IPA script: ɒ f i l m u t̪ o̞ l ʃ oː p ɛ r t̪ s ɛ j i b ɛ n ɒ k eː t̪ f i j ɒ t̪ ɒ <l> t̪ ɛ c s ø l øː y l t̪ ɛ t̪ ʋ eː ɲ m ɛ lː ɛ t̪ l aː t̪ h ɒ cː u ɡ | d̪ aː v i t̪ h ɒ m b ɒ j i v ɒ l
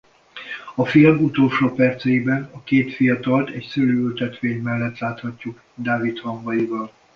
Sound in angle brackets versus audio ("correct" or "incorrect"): correct